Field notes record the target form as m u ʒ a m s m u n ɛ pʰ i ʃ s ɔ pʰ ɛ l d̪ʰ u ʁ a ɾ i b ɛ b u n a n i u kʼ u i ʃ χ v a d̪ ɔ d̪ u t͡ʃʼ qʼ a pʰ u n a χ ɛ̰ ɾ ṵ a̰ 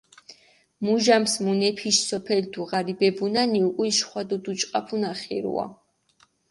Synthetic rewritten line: m u ʒ a m s m u n ɛ pʰ i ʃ s ɔ pʰ ɛ l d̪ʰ u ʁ a ɾ i b ɛ b u n a n i u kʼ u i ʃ χ w a d̪ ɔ d̪ u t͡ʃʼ qʼ a pʰ u n a χ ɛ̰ ɾ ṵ a̰